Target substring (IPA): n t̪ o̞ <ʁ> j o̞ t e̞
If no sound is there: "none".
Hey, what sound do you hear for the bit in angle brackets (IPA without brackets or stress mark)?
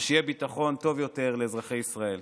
v